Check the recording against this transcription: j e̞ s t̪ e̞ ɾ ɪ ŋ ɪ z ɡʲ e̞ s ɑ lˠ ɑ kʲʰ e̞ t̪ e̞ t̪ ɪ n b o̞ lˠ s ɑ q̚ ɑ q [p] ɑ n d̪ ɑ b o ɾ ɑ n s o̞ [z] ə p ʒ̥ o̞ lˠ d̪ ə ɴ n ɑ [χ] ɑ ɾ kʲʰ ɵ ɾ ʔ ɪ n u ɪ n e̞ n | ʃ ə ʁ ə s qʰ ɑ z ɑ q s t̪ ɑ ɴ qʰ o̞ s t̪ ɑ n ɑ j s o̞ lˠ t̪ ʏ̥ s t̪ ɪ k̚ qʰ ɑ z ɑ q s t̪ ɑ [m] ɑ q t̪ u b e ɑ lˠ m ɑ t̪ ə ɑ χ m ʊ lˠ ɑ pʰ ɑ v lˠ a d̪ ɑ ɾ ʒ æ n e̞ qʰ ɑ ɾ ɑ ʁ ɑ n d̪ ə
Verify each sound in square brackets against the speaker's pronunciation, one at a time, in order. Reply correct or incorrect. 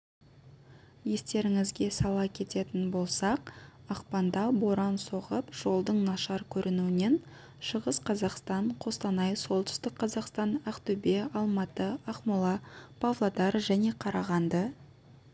correct, incorrect: ʁ, incorrect: ʃ, incorrect: n

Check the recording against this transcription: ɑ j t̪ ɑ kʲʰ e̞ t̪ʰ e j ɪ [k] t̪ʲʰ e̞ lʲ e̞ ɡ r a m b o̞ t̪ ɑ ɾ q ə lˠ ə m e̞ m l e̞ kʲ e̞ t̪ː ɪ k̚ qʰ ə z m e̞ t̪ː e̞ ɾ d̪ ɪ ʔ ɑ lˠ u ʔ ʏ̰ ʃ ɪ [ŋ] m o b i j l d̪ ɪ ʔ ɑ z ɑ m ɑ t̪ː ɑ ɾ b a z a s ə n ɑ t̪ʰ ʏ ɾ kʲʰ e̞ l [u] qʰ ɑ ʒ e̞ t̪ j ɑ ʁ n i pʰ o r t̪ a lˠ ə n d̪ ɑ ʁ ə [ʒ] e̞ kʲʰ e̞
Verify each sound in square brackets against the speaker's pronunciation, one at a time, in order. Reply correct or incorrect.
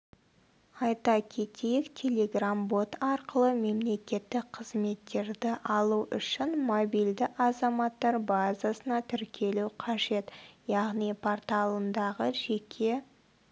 correct, incorrect: n, correct, correct

